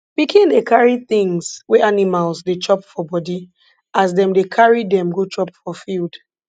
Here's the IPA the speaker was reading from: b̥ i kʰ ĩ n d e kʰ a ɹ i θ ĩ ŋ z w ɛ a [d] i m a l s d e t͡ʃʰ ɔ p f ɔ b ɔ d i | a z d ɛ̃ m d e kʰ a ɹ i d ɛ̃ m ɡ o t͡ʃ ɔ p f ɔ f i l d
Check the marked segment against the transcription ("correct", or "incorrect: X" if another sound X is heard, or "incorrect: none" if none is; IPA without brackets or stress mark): incorrect: n